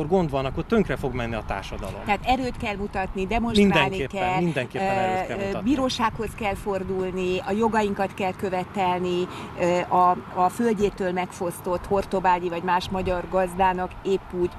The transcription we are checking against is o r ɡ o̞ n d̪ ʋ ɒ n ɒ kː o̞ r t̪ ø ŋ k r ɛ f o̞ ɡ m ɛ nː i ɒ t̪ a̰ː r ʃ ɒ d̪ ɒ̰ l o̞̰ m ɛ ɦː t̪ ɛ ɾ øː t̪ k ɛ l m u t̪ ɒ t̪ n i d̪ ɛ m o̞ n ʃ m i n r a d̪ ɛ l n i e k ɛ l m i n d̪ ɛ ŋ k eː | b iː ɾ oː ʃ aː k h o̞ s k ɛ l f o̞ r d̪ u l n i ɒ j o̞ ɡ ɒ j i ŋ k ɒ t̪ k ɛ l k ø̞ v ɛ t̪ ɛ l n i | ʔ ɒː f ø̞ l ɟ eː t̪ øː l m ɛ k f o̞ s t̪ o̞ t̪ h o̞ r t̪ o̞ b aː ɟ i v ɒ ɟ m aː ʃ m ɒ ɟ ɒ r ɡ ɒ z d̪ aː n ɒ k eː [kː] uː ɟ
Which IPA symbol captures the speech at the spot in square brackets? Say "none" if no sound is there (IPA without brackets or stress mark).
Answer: pː